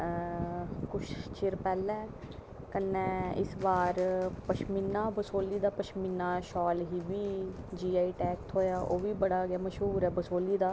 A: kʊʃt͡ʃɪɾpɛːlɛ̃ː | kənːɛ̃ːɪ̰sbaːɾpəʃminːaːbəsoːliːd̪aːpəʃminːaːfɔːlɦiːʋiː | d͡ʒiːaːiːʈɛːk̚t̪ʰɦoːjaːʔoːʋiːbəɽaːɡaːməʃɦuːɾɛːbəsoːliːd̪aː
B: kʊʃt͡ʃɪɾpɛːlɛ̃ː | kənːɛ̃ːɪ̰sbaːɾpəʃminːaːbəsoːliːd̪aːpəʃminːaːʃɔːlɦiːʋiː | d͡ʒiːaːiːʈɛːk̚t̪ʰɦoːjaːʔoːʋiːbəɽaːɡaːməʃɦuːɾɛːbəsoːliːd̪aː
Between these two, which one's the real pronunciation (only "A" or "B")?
B